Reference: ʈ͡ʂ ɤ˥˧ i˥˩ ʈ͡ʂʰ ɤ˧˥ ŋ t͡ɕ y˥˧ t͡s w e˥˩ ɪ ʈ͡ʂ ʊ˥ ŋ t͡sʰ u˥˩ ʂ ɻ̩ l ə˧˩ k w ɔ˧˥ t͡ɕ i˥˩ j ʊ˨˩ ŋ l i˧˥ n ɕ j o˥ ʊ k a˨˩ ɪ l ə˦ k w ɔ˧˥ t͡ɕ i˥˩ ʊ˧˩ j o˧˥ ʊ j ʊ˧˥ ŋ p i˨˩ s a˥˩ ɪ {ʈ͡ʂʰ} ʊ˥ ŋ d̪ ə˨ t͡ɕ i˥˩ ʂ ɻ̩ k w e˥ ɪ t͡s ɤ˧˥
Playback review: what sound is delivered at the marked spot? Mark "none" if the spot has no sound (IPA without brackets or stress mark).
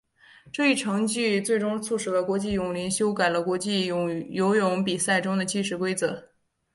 ʈ͡ʂ